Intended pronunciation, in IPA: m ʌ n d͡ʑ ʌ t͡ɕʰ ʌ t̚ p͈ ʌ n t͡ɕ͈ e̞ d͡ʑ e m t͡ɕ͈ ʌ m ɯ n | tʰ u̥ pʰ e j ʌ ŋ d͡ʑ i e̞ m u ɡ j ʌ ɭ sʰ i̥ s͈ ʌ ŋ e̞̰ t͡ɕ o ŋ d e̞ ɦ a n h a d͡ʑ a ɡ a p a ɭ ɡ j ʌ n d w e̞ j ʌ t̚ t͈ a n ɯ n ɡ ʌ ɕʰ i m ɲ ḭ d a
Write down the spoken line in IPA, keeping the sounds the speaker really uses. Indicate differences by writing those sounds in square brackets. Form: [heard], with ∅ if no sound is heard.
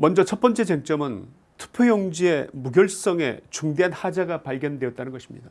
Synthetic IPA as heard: m ʌ n d͡ʑ ʌ t͡ɕʰ ʌ t̚ p͈ ʌ n t͡ɕ͈ e̞ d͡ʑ e [ŋ] t͡ɕ͈ ʌ m ɯ n | tʰ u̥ pʰ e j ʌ ŋ d͡ʑ i e̞ m u ɡ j ʌ ɭ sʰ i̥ s͈ ʌ ŋ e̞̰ t͡ɕ [u] ŋ d e̞ ɦ a n h a d͡ʑ a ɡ a p a ɭ ɡ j ʌ n d w e̞ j ʌ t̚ t͈ a n ɯ n ɡ ʌ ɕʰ i m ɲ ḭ d a